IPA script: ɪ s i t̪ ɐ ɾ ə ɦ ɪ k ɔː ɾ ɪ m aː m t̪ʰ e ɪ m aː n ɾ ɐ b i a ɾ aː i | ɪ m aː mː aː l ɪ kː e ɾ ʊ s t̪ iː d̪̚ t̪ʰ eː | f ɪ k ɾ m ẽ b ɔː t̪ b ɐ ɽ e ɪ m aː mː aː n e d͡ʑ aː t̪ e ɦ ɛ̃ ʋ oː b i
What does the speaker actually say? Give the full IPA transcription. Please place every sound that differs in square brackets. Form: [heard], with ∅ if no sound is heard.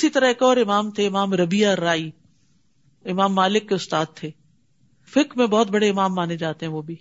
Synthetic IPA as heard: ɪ s i t̪ ɐ ɾ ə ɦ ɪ k ɔː ɾ ɪ m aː m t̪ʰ e ɪ m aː [m] ɾ ɐ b i a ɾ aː i | ɪ m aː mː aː l ɪ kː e [∅] ʊ s t̪ [aː] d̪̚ t̪ʰ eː | f ɪ k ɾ m ẽ b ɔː t̪ b ɐ ɽ e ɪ m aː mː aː n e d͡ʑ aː t̪ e ɦ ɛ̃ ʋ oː b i